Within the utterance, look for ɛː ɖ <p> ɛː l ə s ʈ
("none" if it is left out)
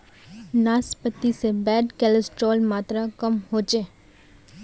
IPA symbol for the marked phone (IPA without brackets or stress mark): k